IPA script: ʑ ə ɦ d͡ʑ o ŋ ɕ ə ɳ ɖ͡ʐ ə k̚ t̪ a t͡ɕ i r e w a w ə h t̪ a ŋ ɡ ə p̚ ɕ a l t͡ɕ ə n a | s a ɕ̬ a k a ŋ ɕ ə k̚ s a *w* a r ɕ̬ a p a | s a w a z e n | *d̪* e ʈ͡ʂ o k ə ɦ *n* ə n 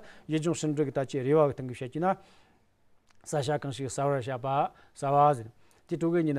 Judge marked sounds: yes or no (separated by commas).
yes, no, no